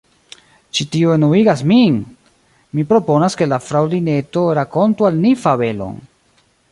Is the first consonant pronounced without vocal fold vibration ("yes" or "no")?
yes